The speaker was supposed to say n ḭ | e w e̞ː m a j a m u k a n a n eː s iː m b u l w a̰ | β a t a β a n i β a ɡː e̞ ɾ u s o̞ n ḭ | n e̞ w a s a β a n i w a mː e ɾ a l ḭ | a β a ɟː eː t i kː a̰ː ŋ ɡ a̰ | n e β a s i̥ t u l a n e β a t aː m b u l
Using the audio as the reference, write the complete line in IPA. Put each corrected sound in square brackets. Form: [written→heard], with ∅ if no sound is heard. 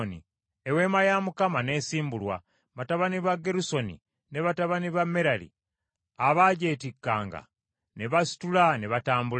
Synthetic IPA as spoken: n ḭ | e w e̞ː m a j a m u k a [n→m] a n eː s iː m b u l w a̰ | β a t a β a n i β a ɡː e̞ ɾ u s o̞ n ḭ | n e̞ [w→β] a [s→t] a β a n i [w→β] a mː e ɾ a l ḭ | a β a [ɟː→ɟ] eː t i kː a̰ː ŋ ɡ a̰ | n e β a s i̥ t u l a n e β a t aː m b u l